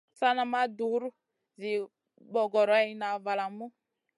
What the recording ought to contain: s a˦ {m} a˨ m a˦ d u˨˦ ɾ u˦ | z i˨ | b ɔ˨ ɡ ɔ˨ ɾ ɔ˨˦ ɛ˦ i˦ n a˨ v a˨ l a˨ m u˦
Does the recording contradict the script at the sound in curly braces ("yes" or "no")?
yes